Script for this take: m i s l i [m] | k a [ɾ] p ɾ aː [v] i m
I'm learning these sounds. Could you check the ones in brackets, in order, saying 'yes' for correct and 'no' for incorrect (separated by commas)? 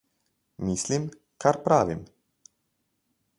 yes, yes, no